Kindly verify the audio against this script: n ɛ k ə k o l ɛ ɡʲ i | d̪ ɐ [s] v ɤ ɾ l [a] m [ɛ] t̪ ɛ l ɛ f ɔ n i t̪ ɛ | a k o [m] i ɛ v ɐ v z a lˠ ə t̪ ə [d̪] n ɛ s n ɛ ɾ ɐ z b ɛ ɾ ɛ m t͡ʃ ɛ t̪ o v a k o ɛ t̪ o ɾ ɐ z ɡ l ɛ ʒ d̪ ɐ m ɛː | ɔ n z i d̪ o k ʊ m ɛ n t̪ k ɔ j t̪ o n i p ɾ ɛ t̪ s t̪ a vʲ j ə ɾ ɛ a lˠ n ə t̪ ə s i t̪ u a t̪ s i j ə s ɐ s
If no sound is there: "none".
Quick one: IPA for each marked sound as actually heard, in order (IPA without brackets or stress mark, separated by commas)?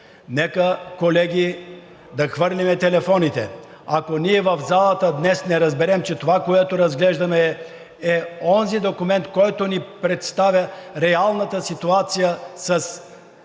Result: x, i, ɛ, n, d̪